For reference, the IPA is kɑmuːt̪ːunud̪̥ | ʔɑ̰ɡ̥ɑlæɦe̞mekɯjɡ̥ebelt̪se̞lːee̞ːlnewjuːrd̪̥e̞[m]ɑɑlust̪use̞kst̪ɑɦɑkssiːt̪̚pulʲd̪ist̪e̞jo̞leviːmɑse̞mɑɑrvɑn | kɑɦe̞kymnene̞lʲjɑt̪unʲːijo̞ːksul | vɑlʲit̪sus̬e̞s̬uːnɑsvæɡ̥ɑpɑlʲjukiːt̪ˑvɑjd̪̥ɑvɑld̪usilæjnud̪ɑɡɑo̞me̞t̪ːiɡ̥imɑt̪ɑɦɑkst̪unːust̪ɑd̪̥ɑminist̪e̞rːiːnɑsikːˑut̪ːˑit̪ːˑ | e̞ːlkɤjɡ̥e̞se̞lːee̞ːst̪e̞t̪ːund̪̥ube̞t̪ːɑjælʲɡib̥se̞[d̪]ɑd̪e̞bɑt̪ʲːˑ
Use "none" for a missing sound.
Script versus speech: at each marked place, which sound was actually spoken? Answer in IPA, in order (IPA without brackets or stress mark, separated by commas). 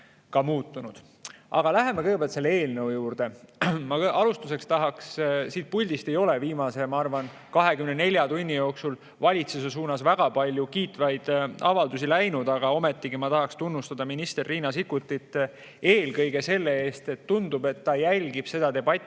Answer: m, d̪